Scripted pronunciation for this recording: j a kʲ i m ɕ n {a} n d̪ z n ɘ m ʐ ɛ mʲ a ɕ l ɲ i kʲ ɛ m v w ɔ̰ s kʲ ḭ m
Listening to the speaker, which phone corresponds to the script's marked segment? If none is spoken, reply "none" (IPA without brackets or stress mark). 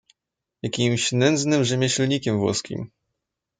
ɛ